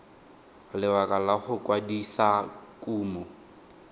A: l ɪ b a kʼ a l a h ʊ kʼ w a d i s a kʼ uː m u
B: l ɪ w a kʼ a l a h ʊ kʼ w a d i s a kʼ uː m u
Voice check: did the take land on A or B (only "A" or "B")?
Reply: B